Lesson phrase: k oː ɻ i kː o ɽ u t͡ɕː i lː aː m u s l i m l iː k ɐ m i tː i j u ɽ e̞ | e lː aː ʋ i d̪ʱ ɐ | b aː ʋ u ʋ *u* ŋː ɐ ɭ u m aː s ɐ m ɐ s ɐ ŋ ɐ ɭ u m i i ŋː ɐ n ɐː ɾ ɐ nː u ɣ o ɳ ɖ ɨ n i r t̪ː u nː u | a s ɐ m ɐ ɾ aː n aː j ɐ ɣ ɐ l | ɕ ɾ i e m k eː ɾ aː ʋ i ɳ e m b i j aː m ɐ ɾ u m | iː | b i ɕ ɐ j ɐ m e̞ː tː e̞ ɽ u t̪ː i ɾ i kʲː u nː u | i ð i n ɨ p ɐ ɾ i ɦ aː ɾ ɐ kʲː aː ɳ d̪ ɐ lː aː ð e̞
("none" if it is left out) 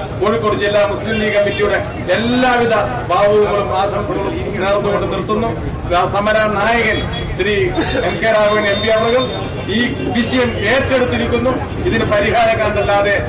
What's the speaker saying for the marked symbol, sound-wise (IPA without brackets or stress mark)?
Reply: u